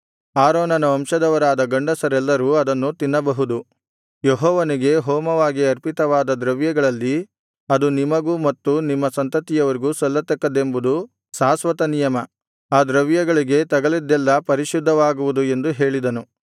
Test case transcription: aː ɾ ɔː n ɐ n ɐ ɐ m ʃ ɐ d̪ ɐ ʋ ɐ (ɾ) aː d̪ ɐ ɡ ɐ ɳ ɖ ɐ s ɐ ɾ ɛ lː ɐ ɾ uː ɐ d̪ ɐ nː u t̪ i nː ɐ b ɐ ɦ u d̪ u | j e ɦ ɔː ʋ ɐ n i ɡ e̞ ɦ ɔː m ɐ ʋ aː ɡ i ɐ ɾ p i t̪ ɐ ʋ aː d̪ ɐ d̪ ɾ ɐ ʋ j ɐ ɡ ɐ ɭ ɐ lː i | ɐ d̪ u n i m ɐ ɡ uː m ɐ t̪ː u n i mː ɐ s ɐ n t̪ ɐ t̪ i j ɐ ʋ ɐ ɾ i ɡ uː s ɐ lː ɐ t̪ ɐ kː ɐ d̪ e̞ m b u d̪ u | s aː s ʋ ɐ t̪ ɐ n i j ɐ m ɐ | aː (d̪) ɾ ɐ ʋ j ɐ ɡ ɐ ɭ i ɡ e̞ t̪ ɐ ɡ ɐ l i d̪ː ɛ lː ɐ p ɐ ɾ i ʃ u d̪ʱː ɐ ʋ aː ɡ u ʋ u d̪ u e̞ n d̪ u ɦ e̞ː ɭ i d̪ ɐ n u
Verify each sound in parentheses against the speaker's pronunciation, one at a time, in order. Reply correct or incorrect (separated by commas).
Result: correct, correct